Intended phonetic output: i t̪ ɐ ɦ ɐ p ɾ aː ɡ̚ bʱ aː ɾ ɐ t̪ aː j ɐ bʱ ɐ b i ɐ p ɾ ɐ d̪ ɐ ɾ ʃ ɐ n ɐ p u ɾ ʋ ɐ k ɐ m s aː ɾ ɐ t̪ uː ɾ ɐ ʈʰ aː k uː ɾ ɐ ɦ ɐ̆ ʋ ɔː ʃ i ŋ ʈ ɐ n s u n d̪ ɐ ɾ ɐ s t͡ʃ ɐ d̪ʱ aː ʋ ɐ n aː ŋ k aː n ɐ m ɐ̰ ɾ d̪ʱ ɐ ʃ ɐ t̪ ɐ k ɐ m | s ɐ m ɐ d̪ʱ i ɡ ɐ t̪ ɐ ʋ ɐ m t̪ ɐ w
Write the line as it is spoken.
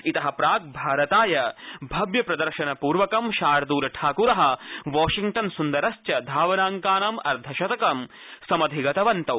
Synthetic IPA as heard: i t̪ ɐ ɦ ɐ p ɾ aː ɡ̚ bʱ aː ɾ ɐ t̪ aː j ɐ bʱ ɐ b j ɐ p ɾ ɐ d̪ ɐ ɾ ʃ ɐ n ɐ p uː ɾ ʋ ɐ k ɐ m ʃ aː ɾ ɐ d̪ uː ɾ ɐ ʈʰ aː k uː ɾ ɐ ɦ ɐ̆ ʋ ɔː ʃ i ŋ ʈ ɐ n s u n d̪ ɐ ɾ ɐ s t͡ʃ ɐ d̪ʱ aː ʋ ɐ n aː ŋ k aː n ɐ m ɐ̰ ɾ d̪ʱ ɐ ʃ ɐ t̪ ɐ k ɐ m | s ɐ m ɐ d̪ʱ i ɡ ɐ t̪ ɐ ʋ ɐ n t̪ ɐ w